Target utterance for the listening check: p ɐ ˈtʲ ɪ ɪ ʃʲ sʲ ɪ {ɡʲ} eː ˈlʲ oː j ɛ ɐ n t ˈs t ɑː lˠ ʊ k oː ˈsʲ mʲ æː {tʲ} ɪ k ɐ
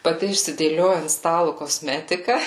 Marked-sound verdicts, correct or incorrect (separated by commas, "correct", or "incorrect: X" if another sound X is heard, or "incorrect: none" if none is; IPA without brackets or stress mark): incorrect: dʲ, correct